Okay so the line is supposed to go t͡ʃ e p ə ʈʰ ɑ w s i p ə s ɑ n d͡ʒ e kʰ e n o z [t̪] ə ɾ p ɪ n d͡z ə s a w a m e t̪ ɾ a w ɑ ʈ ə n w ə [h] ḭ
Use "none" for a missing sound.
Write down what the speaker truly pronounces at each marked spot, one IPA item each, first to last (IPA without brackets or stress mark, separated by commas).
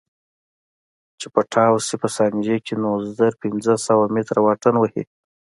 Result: d̪, h